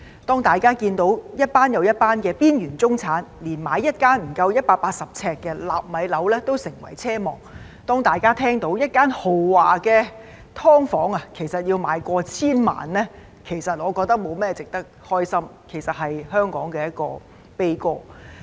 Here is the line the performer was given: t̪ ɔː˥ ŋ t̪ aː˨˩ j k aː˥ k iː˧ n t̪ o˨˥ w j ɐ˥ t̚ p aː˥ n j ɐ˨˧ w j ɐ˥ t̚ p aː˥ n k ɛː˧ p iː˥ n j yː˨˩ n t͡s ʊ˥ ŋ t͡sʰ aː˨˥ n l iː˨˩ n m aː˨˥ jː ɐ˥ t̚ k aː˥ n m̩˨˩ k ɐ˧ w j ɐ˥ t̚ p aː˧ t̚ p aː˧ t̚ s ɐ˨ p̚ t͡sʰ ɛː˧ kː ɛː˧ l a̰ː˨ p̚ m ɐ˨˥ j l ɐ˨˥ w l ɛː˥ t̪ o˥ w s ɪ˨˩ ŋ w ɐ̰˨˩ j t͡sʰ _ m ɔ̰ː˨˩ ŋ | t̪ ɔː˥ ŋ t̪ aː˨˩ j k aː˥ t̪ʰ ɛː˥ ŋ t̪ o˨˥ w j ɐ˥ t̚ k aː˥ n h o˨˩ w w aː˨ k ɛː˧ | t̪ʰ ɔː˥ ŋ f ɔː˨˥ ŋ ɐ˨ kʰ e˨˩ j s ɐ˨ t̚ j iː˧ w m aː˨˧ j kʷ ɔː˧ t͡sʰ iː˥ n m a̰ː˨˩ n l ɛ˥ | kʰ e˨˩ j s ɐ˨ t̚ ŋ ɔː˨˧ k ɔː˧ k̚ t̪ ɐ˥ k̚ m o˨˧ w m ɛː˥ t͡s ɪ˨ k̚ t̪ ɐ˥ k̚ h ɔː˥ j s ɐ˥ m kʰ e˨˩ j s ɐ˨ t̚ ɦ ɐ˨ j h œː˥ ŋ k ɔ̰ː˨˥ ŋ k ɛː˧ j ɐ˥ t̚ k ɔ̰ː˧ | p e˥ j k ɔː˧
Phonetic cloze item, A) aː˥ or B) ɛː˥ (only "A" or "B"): B